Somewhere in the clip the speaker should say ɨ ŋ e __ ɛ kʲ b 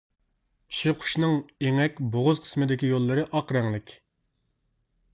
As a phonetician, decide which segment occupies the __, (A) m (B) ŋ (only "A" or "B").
B